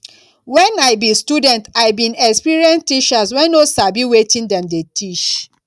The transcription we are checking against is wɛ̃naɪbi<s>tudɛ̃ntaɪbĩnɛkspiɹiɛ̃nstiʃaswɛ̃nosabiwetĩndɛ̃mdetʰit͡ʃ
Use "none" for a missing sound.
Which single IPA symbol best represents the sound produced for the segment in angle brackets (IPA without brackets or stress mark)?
s